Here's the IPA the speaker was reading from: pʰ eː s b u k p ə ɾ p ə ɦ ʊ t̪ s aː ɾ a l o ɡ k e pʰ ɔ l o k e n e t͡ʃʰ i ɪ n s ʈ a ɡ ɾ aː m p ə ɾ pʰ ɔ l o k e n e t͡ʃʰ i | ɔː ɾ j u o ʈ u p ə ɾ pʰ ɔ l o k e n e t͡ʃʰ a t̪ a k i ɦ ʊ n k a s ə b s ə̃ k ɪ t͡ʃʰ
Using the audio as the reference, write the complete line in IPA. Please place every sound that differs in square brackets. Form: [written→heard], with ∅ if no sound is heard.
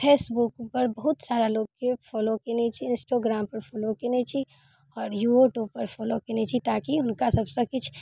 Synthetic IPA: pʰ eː s b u k p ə ɾ [p→b] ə ɦ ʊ t̪ s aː ɾ a l o ɡ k e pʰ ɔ l o k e n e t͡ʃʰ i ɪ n s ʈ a ɡ ɾ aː m p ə ɾ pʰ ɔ l o k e n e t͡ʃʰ i | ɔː ɾ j u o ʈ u p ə ɾ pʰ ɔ l o k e n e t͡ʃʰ [a→i] t̪ a k i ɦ ʊ n k a s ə b s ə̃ k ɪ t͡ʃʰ

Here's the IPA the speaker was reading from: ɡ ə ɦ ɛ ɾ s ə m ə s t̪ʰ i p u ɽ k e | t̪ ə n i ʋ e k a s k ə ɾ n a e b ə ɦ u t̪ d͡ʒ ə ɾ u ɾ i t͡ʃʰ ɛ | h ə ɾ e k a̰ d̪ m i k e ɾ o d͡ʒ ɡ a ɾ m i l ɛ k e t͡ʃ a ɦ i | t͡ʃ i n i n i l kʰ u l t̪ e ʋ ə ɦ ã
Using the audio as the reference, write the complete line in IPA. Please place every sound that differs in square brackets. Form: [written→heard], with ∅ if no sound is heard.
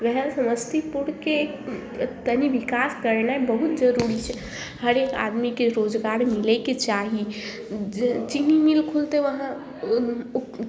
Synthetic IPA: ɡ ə ɦ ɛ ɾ s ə m ə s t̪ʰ i p u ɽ k e | t̪ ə n i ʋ [e→i] k a s k ə ɾ n a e b ə ɦ u t̪ d͡ʒ ə ɾ u ɾ i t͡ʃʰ ɛ | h ə ɾ e k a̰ d̪ m i k e ɾ o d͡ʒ ɡ a ɾ m i l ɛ k e t͡ʃ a ɦ i | t͡ʃ i n i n i l kʰ u l t̪ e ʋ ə ɦ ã

